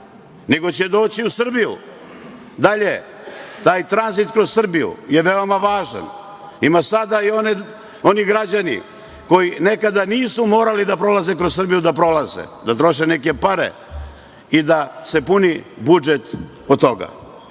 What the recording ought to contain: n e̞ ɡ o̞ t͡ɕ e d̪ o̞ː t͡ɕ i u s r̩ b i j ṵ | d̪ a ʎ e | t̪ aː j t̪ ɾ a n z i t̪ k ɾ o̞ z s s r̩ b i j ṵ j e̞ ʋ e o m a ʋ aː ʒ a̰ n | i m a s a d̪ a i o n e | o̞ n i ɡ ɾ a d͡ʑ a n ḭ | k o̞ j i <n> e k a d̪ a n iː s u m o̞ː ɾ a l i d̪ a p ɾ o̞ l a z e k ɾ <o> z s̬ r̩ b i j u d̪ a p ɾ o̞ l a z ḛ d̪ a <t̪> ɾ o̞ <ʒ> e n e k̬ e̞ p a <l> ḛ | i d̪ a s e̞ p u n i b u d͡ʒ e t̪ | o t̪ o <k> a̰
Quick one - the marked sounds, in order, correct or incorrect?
correct, correct, correct, incorrect: ʃ, incorrect: ɾ, incorrect: ɡ

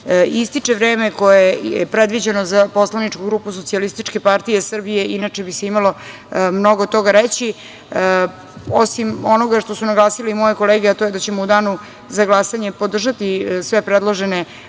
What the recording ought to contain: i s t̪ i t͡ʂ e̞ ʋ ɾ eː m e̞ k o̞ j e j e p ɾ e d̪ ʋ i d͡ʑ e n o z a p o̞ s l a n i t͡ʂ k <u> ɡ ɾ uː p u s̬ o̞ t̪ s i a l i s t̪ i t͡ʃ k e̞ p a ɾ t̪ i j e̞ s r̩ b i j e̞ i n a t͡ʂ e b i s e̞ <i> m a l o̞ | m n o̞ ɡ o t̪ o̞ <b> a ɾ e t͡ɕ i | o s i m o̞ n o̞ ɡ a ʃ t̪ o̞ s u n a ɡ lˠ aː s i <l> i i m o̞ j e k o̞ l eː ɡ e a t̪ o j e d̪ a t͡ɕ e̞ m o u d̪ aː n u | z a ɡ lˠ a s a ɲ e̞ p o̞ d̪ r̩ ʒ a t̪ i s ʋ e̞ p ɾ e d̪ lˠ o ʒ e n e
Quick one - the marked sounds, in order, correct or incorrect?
correct, correct, incorrect: ɡ, correct

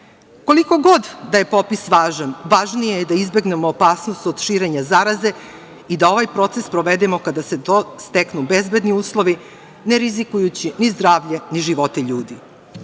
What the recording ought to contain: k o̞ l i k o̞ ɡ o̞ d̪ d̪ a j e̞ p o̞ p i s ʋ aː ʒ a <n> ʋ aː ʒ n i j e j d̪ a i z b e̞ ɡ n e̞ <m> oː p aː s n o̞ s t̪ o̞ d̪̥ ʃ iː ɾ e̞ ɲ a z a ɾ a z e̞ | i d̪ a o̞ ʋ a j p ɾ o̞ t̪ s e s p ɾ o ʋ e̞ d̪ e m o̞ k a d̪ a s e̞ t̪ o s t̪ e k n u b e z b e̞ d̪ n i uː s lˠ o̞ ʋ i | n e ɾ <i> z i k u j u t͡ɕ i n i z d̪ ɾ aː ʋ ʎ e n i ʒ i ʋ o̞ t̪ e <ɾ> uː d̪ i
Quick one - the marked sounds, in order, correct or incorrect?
correct, correct, correct, incorrect: ʎ

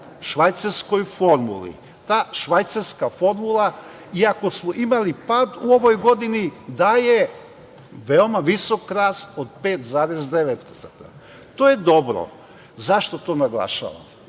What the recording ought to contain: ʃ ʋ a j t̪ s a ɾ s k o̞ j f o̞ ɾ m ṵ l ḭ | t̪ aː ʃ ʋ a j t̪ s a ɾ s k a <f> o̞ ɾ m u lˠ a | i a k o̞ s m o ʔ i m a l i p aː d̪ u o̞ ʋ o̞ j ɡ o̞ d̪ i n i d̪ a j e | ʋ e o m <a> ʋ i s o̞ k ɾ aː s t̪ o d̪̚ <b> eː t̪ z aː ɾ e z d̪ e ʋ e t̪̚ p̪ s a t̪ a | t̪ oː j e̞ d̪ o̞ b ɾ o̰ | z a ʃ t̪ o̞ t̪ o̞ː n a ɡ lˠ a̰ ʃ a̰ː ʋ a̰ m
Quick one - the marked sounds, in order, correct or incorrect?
correct, correct, incorrect: p

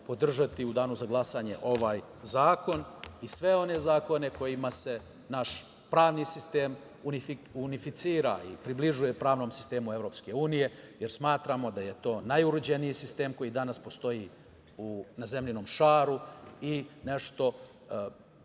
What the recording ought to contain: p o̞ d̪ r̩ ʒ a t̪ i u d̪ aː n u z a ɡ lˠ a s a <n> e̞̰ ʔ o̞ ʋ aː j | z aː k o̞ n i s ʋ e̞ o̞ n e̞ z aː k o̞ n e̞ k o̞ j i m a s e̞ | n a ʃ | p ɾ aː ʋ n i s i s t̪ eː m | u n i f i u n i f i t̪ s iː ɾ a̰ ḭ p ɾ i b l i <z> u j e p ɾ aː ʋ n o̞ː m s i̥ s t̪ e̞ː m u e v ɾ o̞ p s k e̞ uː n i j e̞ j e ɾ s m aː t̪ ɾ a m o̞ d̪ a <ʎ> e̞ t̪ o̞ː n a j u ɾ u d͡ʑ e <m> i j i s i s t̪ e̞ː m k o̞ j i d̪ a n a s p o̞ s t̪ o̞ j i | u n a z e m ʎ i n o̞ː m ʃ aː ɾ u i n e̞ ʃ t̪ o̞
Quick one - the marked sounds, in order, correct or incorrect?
incorrect: ɲ, incorrect: ʒ, incorrect: j, incorrect: n

